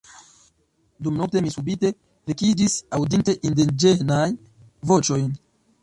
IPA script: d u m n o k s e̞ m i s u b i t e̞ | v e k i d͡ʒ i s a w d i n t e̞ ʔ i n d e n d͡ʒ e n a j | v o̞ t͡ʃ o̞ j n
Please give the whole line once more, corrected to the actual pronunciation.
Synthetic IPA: d u m n o k t e̞ m i s u b i t e̞ | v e k i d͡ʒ i s a w d i n t e̞ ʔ i n d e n d͡ʒ e n a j | v o̞ t͡ʃ o̞ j n